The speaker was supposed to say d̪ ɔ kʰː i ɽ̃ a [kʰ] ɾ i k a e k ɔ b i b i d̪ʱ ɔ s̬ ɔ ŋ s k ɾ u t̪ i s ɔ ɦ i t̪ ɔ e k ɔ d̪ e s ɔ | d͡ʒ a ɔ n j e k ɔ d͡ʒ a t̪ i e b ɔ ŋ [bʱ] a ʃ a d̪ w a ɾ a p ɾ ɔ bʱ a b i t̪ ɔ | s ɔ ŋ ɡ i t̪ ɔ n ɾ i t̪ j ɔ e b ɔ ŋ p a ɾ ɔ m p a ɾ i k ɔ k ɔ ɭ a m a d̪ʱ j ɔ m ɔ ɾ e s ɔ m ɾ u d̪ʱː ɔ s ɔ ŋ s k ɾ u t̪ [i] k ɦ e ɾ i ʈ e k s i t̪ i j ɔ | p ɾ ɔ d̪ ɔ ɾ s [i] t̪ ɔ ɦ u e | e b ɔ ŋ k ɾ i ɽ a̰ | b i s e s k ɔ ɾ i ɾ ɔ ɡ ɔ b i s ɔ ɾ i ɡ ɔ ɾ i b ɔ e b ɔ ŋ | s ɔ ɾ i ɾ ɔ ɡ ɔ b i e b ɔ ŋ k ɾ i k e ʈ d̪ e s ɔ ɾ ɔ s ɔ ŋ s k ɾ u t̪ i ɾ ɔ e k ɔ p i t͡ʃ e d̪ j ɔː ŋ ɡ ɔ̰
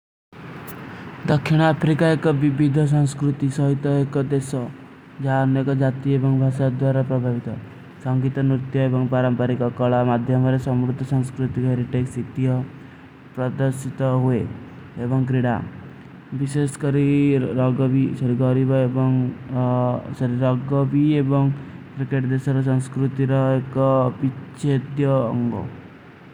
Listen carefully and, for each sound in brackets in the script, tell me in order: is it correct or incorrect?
incorrect: pʰ, correct, correct, correct

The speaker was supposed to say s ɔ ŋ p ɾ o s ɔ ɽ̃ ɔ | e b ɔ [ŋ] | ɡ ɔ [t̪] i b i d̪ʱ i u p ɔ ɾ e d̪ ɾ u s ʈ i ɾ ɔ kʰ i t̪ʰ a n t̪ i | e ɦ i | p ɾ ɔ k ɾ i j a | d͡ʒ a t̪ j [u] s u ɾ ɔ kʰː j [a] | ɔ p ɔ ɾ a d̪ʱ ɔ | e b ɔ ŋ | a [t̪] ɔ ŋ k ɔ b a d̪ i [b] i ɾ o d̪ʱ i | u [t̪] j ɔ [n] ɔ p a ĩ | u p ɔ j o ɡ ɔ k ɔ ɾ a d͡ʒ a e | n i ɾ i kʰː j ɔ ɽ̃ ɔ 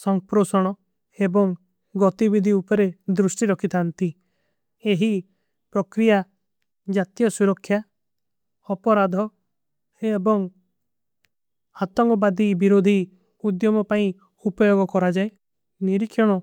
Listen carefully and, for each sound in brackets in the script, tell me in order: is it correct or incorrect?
correct, correct, incorrect: ɔ, correct, correct, correct, incorrect: d̪, incorrect: m

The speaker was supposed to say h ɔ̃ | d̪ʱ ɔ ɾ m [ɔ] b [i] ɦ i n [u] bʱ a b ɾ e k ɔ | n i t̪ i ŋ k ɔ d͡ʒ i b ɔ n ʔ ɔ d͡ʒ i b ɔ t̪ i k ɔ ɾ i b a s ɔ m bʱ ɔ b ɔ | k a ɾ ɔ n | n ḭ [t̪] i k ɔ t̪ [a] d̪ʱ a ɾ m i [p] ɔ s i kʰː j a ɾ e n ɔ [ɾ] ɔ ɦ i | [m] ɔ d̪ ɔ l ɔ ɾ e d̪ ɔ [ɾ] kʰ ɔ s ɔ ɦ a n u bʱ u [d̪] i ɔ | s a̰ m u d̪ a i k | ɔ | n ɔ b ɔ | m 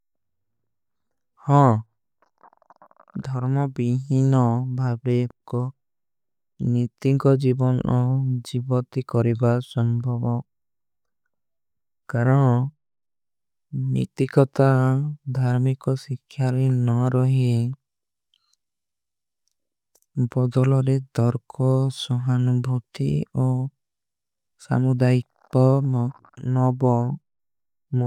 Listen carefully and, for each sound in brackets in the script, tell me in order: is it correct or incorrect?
correct, correct, incorrect: ɔ, correct, correct, incorrect: k, correct, incorrect: b, correct, incorrect: t̪

